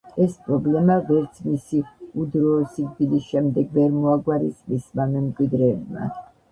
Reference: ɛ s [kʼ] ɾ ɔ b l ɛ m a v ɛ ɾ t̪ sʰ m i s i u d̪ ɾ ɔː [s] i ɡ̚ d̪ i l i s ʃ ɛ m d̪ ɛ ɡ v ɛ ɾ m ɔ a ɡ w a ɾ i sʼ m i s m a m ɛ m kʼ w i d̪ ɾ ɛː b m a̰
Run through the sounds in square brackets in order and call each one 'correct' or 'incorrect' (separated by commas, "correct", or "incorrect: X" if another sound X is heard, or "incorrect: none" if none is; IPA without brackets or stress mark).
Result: incorrect: pʼ, correct